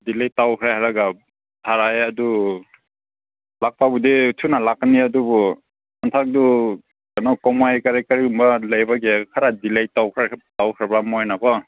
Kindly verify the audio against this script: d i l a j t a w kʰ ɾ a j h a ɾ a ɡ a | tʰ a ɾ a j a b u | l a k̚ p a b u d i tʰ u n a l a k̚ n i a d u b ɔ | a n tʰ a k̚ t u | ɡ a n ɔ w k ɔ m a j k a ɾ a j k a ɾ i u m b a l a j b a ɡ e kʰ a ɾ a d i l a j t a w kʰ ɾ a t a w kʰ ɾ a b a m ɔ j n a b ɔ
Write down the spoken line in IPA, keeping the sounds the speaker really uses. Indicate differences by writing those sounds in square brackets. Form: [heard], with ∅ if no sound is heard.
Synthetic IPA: d i l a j t a w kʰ ɾ a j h a ɾ a ɡ a | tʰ a ɾ a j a [d] u | l a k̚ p a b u d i tʰ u n a l a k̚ n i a d u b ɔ | a n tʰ a k̚ [d] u | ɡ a n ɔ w k ɔ m a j k a ɾ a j k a ɾ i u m b a l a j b a ɡ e kʰ a ɾ a d i l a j t a w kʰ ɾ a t a w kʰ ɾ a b a m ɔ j n a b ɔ